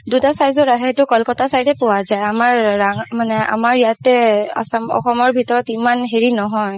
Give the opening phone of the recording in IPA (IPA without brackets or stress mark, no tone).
d